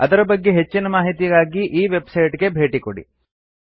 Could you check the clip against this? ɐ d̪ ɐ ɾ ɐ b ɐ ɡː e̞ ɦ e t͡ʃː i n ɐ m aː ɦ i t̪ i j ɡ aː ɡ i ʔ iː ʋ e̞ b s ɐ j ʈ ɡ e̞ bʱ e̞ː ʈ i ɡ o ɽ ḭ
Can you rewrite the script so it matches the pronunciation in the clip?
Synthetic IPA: ɐ d̪ ɐ ɾ ɐ b ɐ ɡː e̞ ɦ e t͡ʃː i n ɐ m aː ɦ i t̪ i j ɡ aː ɡ i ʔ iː ʋ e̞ b s ɐ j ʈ ɡ e̞ bʱ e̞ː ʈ i k o ɽ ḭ

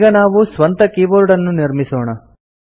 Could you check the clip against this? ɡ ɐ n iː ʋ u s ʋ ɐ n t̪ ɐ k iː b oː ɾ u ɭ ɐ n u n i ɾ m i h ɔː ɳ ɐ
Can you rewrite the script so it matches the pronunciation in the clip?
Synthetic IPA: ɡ ɐ n aː ʋ u s ʋ ɐ n t̪ ɐ k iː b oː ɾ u ɽ ɐ nː u n i ɾ m i s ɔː ɳ ɐ

